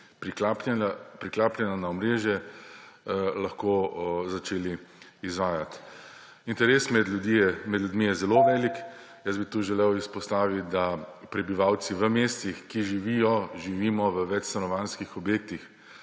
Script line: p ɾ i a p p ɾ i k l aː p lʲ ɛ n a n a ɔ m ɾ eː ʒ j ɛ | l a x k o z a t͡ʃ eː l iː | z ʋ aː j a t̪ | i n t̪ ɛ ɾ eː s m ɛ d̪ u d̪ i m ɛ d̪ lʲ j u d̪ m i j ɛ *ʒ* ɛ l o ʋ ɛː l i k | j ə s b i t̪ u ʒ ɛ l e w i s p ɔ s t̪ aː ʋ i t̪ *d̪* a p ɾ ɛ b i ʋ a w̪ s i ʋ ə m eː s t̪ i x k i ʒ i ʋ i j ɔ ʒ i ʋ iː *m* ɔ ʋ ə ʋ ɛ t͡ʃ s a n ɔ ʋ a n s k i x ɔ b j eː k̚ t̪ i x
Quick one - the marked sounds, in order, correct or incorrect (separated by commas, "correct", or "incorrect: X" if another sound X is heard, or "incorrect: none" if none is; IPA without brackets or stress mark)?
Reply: incorrect: z, correct, correct